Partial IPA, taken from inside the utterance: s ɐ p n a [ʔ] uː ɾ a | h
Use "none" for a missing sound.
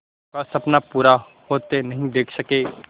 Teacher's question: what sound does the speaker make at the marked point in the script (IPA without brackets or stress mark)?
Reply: p